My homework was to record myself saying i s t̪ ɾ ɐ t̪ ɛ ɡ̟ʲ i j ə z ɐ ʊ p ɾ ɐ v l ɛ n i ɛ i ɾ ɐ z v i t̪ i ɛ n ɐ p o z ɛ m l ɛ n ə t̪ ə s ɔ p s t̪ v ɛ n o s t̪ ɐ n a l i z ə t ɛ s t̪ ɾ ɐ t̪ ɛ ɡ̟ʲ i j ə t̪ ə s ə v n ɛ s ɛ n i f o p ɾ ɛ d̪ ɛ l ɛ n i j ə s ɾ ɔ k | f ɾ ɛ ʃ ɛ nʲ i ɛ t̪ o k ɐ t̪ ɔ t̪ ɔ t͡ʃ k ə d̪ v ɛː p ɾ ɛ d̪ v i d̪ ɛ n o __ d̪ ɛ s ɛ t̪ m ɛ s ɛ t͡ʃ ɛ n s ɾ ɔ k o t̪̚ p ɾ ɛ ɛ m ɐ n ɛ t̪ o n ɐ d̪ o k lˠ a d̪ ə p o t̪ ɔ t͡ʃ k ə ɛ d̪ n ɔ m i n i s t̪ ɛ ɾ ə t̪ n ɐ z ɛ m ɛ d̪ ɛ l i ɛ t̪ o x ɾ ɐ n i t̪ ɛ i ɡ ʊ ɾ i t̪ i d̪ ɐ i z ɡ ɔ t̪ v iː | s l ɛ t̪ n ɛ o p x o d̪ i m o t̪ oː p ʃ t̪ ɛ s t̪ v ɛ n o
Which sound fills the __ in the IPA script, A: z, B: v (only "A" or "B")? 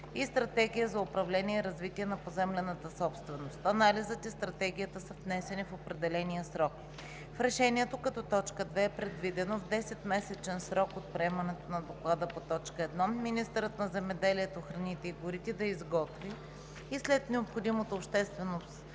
B